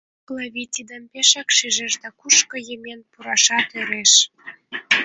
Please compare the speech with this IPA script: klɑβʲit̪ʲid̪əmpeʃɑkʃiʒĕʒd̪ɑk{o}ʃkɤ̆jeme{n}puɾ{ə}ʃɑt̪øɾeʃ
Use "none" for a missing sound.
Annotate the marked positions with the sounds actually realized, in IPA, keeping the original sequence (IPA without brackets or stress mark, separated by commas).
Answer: u, n, ɑ